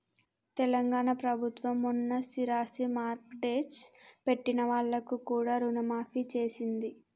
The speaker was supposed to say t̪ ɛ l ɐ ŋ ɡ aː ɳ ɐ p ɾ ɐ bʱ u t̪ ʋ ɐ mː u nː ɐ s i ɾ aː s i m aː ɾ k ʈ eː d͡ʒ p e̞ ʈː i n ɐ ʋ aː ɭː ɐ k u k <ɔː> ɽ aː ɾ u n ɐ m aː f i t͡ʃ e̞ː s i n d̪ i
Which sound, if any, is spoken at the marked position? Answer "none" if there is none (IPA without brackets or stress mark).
uː